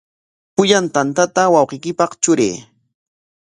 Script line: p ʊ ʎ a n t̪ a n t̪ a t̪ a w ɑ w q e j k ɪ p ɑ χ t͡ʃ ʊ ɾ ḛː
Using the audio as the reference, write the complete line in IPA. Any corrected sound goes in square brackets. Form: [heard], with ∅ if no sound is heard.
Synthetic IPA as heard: p ʊ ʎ a n t̪ a n t̪ a t̪ a w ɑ w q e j k ɪ p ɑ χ t͡ʃ ʊ ɾ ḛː